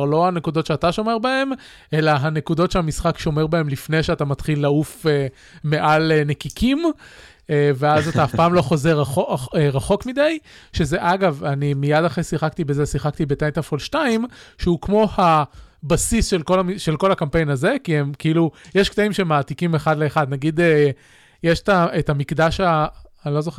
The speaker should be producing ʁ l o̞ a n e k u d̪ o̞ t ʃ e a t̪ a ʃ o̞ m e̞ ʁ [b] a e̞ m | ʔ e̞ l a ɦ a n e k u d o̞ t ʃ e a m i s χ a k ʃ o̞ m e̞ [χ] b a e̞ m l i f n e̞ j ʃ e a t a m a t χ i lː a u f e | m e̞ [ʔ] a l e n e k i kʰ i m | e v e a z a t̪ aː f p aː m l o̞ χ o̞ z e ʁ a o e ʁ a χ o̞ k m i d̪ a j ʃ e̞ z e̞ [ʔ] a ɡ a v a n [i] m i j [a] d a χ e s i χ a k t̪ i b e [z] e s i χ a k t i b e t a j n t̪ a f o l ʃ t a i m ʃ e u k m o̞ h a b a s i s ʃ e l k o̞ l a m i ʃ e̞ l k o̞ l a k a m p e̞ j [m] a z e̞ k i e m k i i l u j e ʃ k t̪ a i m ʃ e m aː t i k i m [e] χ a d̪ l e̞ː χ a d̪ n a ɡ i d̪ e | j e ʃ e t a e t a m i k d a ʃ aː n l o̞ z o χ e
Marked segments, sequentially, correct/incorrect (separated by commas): correct, incorrect, correct, correct, correct, correct, correct, incorrect, correct